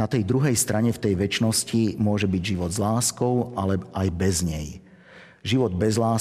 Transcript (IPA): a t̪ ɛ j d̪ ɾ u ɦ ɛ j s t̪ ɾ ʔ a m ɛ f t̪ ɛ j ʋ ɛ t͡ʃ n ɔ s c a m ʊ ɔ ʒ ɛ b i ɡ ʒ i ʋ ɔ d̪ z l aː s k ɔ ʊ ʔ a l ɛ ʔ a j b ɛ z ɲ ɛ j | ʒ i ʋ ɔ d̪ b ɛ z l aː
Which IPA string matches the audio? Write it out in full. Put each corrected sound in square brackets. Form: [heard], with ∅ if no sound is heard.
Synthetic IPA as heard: a t̪ ɛ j d̪ ɾ u ɦ ɛ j s t̪ ɾ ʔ a [ɲ] ɛ f t̪ ɛ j ʋ ɛ t͡ʃ n ɔ s c [i] m ʊ ɔ ʒ ɛ b i [ɟ] ʒ i ʋ ɔ d̪ z l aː s k ɔ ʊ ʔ a l ɛ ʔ a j b ɛ z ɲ ɛ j | ʒ i ʋ ɔ d̪ b ɛ z l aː